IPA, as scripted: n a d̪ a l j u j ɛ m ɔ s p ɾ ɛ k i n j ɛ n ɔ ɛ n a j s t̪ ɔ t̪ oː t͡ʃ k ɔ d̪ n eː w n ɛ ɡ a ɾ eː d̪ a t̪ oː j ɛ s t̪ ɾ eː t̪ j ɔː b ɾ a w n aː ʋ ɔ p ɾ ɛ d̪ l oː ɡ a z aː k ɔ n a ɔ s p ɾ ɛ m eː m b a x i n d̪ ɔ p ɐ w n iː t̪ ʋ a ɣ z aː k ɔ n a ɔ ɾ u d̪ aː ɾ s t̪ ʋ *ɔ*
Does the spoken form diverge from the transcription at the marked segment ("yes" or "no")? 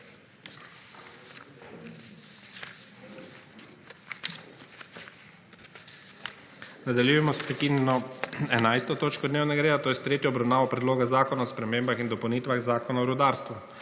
yes